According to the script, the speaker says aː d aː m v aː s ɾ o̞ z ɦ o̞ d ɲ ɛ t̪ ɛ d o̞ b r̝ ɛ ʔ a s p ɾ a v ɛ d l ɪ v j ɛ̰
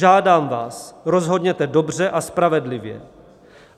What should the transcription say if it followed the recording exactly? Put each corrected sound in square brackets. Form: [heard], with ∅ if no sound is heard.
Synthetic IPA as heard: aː d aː m v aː s ɾ o̞ z ɦ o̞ d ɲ ɛ t̪ ɛ d o̞ b r̝ ɛ ʔ a s p ɾ a v ɛ d l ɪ v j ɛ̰

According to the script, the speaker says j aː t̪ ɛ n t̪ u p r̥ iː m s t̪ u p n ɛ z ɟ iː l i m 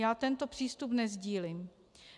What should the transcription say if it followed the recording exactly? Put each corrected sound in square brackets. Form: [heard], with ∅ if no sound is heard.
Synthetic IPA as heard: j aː t̪ ɛ n t̪ [o] p r̥ iː [∅] s t̪ u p n ɛ z ɟ iː l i m

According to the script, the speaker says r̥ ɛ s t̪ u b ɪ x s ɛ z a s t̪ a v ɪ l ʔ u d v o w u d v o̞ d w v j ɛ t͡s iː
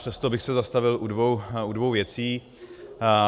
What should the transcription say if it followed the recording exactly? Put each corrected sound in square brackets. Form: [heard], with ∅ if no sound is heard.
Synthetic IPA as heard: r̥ ɛ s t̪ [o] b ɪ x s ɛ z a s t̪ a v ɪ l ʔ u d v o w u d v o̞ [∅] w v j ɛ t͡s iː

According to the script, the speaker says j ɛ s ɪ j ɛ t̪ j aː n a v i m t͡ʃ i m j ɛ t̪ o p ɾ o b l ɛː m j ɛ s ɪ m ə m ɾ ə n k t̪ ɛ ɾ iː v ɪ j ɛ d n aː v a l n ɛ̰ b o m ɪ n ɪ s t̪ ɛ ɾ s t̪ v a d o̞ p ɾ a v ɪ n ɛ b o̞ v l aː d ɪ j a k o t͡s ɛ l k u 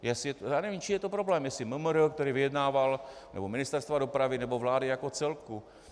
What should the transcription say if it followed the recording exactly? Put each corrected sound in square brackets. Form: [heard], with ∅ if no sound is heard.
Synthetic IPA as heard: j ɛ s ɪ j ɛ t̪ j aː n [ɛ] v i m t͡ʃ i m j ɛ t̪ o p ɾ o b l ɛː m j ɛ s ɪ m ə m ɾ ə [∅] k t̪ ɛ ɾ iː v ɪ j ɛ d n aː v a l n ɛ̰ b o m ɪ n ɪ s t̪ ɛ ɾ s t̪ v a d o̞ p ɾ a v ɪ n ɛ b o̞ v l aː d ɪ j a k o t͡s ɛ l k u

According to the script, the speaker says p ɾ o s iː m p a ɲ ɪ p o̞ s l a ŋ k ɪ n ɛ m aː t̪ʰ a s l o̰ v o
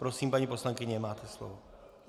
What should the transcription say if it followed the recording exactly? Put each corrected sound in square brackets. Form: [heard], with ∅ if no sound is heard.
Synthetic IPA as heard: p ɾ o s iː m p a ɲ [i] p o̞ s l a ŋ k ɪ [ɲ] ɛ m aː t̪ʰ [ɛ] s l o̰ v o

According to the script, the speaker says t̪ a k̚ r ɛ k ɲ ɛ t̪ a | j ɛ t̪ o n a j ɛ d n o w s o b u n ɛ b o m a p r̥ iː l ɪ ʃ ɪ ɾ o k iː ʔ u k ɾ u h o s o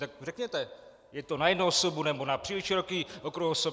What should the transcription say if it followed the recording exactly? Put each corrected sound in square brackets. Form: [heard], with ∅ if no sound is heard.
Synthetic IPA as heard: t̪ a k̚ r ɛ k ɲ ɛ t̪ [ɛ] | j ɛ t̪ o n a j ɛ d n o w s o b u n ɛ b o [n] a p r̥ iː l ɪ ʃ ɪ ɾ o k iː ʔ [o] k ɾ u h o s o

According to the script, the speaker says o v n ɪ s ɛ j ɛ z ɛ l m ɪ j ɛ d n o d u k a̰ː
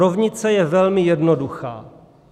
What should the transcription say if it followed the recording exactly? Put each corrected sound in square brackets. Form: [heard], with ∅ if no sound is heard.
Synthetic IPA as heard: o v [ɲ] ɪ [t͡s] ɛ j ɛ [v] ɛ l m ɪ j ɛ d n o d u [x] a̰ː

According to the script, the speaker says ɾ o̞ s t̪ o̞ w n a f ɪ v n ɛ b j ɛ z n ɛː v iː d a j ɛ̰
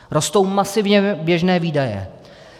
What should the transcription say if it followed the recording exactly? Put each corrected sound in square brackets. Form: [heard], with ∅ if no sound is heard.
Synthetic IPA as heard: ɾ o̞ s t̪ o̞ w [m] a [s] ɪ v [ɲ] ɛ b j ɛ [ʒ] n ɛː v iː d a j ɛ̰

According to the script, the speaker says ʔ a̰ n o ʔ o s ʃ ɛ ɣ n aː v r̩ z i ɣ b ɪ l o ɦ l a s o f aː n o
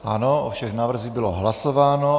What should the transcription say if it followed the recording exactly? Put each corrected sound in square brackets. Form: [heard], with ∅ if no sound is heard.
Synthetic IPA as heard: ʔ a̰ n o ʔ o [f] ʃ ɛ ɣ n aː v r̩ z i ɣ b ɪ l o ɦ l a s o [v] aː n o

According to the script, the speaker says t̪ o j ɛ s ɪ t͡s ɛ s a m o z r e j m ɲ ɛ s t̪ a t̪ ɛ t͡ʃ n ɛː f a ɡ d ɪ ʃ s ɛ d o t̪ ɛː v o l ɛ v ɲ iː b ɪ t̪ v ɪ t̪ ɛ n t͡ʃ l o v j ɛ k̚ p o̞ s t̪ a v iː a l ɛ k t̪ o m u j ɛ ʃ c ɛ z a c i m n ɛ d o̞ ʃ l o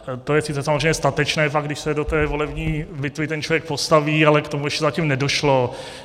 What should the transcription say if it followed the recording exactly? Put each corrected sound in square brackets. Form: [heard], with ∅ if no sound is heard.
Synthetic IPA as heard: t̪ o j ɛ s ɪ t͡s ɛ s a m o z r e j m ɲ ɛ s t̪ a t̪ ɛ t͡ʃ n ɛː f a ɡ d ɪ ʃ s ɛ d o t̪ ɛː v o l ɛ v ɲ iː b ɪ t̪ v ɪ t̪ ɛ n t͡ʃ l o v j ɛ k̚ p o̞ s t̪ a v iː a l ɛ k t̪ o m u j ɛ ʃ c ɛ z a c i m n ɛ d o̞ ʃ l o

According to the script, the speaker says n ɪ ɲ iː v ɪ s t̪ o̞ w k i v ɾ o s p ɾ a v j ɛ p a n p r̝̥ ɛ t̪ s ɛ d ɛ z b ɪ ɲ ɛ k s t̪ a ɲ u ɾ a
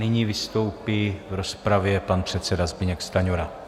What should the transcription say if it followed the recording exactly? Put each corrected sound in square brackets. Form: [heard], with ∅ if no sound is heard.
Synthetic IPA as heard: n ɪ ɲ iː v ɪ s t̪ o̞ w [p] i v ɾ o s p ɾ a v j ɛ p a n p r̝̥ ɛ t̪ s ɛ d [a] z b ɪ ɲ ɛ k s t̪ a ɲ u ɾ a

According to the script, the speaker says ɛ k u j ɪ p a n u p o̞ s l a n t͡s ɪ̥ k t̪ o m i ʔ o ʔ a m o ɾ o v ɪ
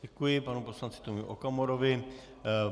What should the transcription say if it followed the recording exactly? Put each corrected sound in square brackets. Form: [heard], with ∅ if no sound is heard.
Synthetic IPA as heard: ɛ k u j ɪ p a n u p o̞ s l a n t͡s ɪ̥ [∅] t̪ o m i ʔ o [k] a m o ɾ o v ɪ

